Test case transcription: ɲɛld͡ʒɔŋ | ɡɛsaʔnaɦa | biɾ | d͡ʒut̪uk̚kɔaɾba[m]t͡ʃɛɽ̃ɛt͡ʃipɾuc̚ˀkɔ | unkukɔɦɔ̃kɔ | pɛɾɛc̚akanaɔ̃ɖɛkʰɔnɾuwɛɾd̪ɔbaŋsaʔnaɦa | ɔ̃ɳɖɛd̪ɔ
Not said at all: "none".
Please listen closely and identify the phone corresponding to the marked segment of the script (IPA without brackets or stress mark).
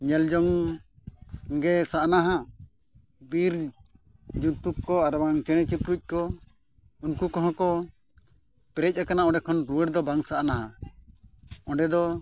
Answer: ŋ